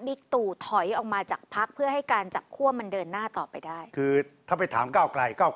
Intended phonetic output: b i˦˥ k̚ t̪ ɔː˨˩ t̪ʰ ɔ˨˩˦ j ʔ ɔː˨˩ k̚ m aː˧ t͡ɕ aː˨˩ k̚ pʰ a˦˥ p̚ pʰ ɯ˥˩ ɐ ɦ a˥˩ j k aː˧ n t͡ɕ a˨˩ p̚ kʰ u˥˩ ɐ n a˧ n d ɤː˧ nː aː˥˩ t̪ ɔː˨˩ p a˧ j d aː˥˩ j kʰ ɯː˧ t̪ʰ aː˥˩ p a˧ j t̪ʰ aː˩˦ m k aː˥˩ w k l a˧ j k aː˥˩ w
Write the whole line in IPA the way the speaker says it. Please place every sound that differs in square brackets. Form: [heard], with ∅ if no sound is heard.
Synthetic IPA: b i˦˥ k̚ t̪ [uː˨˩] t̪ʰ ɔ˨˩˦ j ʔ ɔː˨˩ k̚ m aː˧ t͡ɕ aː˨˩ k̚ pʰ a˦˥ [k̚] pʰ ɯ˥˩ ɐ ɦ a˥˩ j k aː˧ n t͡ɕ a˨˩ p̚ kʰ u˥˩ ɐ [m] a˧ n d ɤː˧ nː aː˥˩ t̪ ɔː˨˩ p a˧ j d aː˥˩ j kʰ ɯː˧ t̪ʰ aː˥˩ p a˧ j t̪ʰ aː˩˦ m k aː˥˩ w k l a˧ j k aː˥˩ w